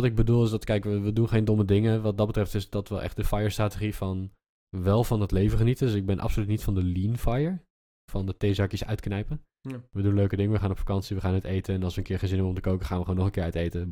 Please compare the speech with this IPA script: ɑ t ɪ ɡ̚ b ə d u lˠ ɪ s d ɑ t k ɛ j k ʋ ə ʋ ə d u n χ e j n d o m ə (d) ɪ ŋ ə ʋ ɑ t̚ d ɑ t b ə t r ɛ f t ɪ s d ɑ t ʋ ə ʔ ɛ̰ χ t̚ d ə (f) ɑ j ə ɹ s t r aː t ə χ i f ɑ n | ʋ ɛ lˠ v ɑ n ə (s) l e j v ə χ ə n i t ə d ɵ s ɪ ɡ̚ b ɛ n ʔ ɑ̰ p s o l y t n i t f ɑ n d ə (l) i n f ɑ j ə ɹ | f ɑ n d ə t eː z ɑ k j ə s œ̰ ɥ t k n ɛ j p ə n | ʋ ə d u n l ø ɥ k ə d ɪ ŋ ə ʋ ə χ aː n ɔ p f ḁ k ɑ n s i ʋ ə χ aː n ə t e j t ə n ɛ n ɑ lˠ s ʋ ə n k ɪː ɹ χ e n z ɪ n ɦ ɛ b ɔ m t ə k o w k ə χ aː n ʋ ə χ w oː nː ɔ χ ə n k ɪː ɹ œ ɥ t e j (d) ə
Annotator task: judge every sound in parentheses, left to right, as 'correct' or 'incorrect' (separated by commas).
correct, correct, incorrect, correct, incorrect